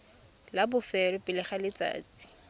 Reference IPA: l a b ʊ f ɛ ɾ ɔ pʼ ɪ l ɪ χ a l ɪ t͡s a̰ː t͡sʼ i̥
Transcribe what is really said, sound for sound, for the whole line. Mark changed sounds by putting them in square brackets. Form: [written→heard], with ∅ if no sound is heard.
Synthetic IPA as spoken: l a b ʊ f ɛ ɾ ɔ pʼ ɪ l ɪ χ a l ɪ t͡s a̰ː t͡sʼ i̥